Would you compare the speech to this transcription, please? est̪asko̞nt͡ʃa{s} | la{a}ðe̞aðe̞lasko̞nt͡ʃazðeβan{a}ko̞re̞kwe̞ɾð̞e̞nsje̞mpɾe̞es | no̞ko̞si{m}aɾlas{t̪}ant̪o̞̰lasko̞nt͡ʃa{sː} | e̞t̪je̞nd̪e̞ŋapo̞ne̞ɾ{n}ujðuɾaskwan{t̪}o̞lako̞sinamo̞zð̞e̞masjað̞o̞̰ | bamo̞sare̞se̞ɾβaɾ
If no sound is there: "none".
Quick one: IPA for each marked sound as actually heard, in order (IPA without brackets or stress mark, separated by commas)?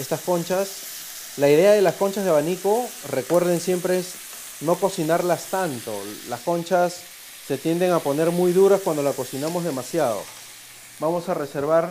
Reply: s, i, i, n, t̪, sː, m, d̪